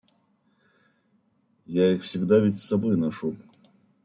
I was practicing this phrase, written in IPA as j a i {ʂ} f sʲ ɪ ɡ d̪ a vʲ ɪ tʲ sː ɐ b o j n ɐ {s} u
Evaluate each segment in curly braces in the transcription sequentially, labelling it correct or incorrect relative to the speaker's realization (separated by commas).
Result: incorrect, incorrect